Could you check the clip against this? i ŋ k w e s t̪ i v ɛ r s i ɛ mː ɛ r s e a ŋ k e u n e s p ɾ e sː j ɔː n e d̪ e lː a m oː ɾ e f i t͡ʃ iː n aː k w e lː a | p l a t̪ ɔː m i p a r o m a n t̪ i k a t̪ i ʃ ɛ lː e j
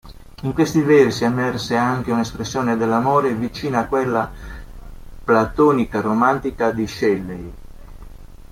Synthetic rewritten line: i ŋ k w e s t̪ i v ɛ r s i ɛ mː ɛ r s e a ŋ k e u n e s p ɾ e sː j ɔː n e d̪ e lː a m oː ɾ e v i t͡ʃ iː n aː k w e lː a | p l a t̪ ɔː n i k a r o m a n t̪ i k a d̪ i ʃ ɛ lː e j